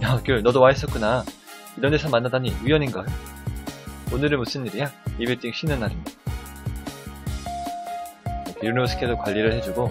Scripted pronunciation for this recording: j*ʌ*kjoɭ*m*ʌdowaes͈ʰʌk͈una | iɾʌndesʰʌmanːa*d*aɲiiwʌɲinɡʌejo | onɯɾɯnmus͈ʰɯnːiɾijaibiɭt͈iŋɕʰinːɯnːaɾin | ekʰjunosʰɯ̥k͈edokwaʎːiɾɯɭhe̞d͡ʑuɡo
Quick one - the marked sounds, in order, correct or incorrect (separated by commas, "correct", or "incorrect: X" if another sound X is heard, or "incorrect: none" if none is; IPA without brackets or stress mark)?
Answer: incorrect: a, incorrect: n, correct